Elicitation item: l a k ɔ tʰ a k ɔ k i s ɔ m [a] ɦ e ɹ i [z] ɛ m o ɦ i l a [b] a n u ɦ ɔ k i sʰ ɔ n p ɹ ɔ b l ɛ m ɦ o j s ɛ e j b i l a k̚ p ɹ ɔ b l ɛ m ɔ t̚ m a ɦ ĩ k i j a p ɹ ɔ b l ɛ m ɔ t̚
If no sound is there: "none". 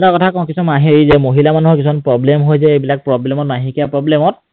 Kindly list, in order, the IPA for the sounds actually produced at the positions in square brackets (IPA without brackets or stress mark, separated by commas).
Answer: a, z, m